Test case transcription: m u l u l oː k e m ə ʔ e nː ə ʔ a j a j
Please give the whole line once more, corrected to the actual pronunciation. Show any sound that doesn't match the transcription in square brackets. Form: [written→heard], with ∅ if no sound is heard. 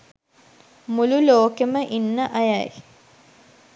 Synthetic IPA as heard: m u l u l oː k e m ə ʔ [e→i] nː ə ʔ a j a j